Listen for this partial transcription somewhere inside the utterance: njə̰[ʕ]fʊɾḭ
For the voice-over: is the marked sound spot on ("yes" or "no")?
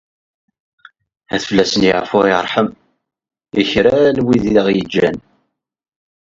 yes